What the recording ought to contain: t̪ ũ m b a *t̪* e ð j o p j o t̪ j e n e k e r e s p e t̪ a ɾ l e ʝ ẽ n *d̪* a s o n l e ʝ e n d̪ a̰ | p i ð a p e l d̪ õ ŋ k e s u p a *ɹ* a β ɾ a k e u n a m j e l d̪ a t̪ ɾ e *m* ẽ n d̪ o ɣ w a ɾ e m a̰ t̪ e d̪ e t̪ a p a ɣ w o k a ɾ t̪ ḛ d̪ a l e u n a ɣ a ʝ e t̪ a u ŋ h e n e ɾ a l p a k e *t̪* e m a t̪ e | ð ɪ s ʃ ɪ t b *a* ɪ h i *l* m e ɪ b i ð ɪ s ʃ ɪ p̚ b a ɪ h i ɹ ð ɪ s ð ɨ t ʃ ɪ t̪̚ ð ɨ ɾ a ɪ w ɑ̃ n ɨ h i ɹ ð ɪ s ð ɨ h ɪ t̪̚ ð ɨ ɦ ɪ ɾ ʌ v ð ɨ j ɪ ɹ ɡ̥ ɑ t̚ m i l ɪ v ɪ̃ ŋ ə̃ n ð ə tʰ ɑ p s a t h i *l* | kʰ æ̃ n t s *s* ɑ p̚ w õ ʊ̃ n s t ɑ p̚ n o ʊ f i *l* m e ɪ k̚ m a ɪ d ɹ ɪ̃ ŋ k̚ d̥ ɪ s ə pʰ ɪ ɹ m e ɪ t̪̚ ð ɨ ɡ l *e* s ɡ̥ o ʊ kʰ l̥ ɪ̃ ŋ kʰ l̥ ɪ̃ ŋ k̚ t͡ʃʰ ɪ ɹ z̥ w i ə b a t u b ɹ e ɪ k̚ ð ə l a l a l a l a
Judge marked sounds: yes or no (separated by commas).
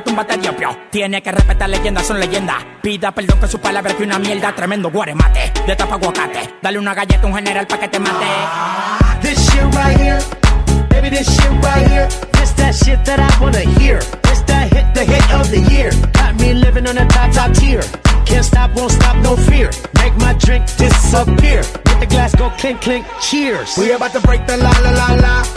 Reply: yes, yes, no, yes, yes, yes, no, no, no, no, no